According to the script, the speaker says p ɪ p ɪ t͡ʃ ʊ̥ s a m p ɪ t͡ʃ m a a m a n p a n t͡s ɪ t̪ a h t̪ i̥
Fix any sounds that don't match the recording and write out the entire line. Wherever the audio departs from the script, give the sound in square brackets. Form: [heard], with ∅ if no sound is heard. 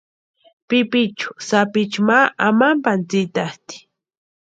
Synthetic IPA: p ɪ p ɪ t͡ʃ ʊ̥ s a [∅] p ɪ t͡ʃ m a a m a [m] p a n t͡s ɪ t̪ a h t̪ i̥